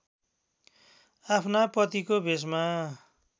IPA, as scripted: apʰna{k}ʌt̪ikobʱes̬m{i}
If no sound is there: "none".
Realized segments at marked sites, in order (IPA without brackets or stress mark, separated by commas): p, a